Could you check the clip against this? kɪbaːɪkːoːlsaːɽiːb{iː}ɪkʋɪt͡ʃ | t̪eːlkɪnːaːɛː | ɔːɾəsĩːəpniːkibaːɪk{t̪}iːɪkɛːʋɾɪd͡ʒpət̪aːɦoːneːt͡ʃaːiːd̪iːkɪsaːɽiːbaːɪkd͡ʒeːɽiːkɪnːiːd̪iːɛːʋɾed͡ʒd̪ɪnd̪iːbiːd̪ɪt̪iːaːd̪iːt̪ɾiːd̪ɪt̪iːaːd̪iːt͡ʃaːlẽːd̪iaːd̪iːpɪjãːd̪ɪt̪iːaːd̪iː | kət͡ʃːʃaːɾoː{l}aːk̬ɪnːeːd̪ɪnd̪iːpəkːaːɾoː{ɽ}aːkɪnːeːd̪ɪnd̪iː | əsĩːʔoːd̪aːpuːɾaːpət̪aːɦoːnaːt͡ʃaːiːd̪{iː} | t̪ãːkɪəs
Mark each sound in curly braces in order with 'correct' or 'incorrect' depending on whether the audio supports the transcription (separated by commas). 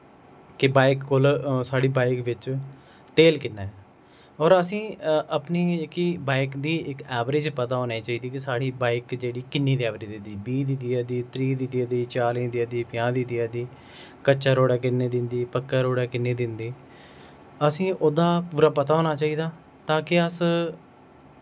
incorrect, incorrect, incorrect, correct, incorrect